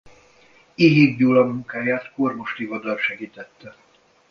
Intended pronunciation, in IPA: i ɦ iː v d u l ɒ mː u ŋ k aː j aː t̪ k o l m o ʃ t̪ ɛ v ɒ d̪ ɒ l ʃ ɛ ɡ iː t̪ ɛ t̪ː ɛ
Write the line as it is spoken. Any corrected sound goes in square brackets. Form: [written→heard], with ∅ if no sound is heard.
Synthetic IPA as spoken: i ɦ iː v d u l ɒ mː u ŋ k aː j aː t̪ k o [l→r] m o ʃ t̪ [ɛ→i] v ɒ d̪ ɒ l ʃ ɛ ɡ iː t̪ ɛ t̪ː ɛ